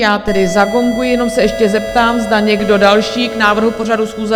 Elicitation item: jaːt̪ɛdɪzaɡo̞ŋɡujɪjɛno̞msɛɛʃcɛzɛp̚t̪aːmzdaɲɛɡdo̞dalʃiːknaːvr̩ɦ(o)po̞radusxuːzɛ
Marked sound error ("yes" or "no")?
yes